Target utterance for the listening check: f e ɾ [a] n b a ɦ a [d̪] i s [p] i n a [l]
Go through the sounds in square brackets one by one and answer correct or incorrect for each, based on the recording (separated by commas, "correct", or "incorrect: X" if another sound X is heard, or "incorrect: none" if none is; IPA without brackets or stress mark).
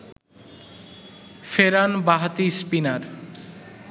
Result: correct, incorrect: t̪, correct, incorrect: ɾ